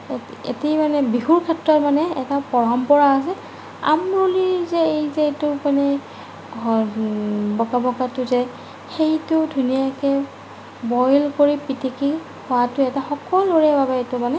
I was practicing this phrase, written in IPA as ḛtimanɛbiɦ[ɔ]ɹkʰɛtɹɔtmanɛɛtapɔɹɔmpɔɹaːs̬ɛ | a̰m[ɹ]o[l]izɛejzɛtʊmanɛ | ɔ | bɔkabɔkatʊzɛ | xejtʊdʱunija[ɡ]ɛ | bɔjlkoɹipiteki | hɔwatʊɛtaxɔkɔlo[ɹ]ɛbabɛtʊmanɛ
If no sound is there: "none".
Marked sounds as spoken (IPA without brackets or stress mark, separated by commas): u, ɹ, l, k, ɹ